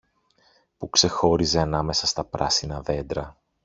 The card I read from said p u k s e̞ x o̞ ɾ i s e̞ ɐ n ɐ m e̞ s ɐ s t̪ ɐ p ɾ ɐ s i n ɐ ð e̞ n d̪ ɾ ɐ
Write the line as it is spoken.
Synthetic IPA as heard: p u k s e̞ x o̞ ɾ i z e̞ ɐ n ɐ m e̞ s ɐ s t̪ ɐ p ɾ ɐ s i n ɐ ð e̞ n d̪ ɾ ɐ